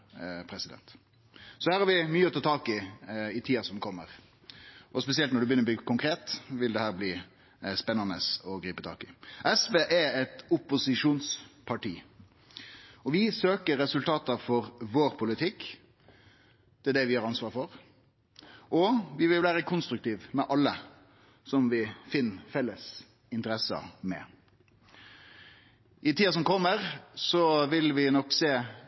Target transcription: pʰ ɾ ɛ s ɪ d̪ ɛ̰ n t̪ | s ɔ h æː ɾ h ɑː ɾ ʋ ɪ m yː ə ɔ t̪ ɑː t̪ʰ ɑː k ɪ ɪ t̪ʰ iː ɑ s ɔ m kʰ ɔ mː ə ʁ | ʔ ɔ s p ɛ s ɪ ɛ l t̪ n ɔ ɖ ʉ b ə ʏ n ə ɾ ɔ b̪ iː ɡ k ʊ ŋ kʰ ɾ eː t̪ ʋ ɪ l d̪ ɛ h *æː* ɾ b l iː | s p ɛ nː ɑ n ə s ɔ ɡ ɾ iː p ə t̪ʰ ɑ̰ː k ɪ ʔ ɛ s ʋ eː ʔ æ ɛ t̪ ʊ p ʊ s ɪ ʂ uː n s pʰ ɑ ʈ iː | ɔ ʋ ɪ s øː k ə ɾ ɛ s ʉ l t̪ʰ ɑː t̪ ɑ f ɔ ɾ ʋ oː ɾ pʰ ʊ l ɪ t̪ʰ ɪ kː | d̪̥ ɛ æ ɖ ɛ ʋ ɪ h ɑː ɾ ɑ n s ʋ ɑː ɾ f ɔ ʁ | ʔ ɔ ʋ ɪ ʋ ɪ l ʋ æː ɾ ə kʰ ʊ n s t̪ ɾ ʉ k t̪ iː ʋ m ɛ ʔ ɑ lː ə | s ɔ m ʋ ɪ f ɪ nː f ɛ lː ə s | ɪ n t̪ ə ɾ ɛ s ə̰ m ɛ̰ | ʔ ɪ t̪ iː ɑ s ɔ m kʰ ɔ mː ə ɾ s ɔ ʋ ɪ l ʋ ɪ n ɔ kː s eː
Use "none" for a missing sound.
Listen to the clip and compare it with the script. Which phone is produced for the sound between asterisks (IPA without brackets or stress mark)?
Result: æː